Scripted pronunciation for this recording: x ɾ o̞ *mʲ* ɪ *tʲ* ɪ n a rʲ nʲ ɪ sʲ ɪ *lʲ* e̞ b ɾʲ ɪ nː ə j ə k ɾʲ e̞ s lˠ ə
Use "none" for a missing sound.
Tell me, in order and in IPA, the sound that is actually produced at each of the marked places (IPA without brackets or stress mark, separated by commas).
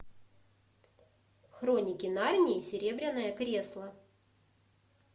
nʲ, kʲ, ɾʲ